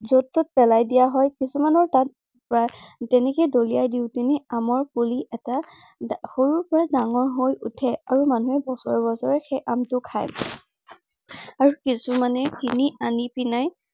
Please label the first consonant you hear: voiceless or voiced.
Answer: voiced